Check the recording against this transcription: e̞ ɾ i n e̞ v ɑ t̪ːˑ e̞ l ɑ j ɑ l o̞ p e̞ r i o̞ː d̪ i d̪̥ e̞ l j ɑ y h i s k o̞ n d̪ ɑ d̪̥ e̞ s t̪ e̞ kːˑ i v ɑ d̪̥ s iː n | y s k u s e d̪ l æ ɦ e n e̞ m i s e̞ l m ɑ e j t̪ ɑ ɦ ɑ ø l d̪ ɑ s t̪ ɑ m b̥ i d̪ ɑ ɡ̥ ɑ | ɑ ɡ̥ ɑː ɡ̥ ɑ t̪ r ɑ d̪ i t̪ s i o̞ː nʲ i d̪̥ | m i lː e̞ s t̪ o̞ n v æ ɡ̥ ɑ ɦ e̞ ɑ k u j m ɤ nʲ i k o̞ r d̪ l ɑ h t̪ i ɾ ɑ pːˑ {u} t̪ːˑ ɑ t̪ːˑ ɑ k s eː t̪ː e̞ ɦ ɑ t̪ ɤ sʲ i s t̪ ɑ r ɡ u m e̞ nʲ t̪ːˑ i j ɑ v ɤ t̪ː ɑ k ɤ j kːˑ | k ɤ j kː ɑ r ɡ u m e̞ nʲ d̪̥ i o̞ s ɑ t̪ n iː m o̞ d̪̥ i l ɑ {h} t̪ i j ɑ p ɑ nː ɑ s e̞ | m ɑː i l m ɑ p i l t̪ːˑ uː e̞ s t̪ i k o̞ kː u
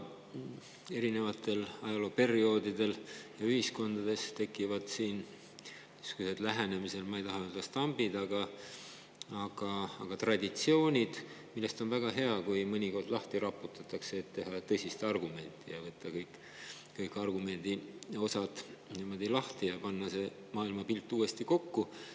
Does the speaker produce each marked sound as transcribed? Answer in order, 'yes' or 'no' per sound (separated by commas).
yes, yes